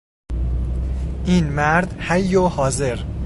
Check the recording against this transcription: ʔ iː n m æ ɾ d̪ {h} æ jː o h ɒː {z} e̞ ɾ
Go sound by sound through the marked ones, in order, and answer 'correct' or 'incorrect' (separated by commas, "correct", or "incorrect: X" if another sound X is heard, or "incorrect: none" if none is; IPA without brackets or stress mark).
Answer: correct, correct